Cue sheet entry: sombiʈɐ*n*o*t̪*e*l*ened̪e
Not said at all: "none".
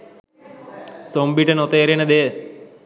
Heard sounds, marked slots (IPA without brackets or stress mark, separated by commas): n, t̪, ɾ